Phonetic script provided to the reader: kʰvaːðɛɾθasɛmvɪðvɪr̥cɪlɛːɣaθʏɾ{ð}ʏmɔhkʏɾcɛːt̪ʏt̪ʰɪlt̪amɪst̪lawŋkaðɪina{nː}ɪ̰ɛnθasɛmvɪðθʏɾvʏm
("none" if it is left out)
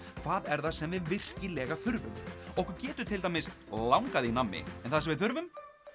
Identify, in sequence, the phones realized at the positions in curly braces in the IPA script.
v, mː

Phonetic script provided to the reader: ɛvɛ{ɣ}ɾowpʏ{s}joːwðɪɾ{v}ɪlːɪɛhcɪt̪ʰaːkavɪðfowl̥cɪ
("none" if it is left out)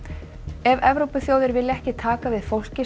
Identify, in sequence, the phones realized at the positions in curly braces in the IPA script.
v, θ, v

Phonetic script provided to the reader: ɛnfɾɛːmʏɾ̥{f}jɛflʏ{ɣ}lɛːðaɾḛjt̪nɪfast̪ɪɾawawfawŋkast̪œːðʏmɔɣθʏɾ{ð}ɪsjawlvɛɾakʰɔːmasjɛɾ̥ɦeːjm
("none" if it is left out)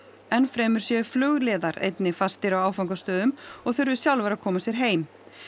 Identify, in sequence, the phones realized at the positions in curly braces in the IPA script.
s, ɣ, v

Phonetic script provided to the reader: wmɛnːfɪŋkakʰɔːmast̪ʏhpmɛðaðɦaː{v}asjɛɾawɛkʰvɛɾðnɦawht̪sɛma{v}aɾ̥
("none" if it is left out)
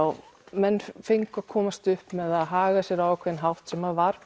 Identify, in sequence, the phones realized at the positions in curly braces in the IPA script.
ɣ, v

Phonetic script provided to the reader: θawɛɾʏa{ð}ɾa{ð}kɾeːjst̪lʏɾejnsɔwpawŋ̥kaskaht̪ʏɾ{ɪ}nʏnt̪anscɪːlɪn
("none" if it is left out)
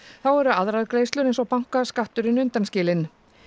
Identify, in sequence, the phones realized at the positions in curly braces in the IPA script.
ð, ð, ɪ

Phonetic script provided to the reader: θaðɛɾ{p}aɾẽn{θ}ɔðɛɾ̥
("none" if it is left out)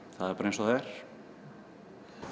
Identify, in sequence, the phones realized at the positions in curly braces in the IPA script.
p, s

